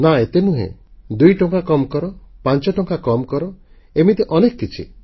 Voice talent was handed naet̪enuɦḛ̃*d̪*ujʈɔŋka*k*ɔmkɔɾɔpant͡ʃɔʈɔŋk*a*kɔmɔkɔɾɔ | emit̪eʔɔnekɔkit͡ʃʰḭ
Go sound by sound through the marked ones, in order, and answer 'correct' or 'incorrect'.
correct, correct, correct

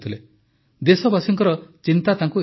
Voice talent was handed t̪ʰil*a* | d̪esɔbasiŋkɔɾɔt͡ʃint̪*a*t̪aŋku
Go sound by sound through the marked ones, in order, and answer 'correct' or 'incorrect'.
incorrect, correct

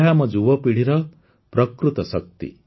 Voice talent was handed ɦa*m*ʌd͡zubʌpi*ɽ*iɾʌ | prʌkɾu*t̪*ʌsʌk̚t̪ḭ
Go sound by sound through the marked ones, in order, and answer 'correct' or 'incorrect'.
correct, correct, correct

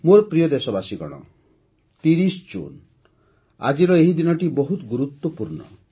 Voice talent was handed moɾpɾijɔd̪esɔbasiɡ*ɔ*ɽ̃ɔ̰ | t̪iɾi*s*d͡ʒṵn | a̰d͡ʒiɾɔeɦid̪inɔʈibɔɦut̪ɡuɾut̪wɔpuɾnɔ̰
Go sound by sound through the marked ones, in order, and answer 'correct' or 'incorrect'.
correct, correct

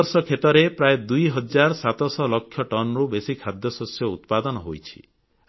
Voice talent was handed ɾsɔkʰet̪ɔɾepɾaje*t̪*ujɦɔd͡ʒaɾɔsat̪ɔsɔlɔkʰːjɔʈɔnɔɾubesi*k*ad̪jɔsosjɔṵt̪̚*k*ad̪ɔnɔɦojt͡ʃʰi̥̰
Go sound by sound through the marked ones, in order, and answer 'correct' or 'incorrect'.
incorrect, incorrect, incorrect

